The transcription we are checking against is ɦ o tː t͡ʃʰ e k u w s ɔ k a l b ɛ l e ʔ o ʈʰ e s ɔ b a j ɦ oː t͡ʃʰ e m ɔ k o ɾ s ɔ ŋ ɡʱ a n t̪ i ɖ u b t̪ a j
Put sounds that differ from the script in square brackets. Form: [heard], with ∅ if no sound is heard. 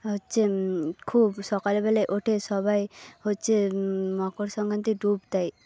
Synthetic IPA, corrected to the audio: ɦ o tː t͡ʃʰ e [kʰ] u [b] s ɔ k a l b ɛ l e ʔ o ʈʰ e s ɔ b a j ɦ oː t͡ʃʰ e m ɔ k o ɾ s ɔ ŋ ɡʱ a n t̪ i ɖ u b t̪ a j